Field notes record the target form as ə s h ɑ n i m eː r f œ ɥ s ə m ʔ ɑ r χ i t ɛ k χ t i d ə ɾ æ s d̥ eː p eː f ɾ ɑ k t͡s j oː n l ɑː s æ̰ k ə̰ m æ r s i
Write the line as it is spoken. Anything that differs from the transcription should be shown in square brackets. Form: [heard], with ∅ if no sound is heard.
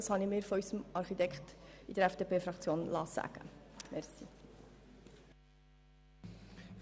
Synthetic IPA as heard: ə s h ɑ n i m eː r f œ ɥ s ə m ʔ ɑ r χ i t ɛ k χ t i d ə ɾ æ [f] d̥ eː p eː f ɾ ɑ k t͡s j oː n l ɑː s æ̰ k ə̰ m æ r s i